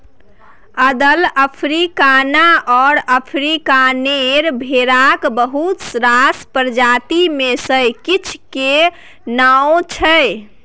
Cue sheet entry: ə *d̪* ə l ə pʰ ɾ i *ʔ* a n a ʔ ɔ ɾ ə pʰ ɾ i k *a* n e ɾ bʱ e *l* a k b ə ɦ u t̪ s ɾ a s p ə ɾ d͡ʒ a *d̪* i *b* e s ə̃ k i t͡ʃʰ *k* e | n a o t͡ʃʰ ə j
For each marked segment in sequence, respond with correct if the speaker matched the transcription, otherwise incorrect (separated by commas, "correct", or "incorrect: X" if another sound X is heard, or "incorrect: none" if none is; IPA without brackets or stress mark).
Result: correct, incorrect: k, correct, incorrect: ɾ, incorrect: t̪, incorrect: m, correct